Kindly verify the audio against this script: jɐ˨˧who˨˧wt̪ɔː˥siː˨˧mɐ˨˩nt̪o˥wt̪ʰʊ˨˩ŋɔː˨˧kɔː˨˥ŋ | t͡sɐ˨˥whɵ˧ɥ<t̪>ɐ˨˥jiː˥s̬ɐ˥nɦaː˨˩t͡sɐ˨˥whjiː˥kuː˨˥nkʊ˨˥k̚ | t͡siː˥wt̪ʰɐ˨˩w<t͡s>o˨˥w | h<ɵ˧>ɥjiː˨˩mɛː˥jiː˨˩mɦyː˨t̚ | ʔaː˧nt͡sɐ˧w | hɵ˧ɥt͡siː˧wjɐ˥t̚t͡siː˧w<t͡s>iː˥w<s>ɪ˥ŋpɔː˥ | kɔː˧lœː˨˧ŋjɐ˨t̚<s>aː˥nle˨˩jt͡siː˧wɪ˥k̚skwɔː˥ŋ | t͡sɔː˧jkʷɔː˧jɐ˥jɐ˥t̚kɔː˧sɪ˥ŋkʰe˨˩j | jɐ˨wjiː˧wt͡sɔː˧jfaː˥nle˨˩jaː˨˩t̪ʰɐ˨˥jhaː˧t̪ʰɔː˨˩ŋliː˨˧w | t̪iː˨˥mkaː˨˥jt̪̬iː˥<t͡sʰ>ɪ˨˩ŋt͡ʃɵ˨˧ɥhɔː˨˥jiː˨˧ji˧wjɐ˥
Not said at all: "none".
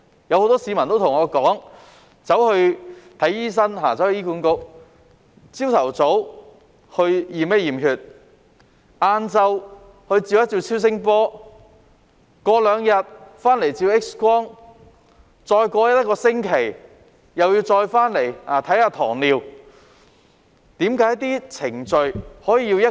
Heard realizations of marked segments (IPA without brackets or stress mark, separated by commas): t̪ʰ, t͡s, ɵ˧, t͡sʰ, s, f, t͡sʰ